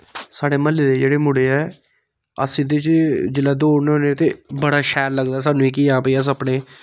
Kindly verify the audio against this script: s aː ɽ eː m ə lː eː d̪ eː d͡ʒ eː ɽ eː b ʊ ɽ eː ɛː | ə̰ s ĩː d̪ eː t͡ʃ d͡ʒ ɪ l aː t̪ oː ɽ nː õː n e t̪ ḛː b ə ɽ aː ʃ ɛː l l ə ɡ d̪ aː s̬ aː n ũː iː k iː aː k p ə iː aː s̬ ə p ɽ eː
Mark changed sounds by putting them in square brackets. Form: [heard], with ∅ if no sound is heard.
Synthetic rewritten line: s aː ɽ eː m ə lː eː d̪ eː d͡ʒ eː ɽ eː [m] ʊ ɽ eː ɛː | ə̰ s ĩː d̪ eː t͡ʃ d͡ʒ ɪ l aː [d̪] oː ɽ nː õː n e t̪ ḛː b ə ɽ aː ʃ ɛː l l ə ɡ d̪ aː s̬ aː n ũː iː k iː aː [∅] p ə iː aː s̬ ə p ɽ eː